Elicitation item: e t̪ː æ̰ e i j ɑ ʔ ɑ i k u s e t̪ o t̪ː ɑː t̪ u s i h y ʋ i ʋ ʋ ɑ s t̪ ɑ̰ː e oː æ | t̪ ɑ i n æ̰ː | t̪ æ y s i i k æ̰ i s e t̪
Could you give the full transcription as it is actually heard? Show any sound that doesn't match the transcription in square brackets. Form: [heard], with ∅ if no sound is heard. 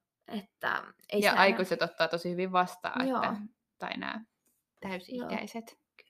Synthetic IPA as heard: e t̪ː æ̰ e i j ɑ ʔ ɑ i k u s e t̪ o t̪ː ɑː t̪ [o] s i h y ʋ i ʋ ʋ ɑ s t̪ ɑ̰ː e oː æ | t̪ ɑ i n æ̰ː | t̪ æ y s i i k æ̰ i s e t̪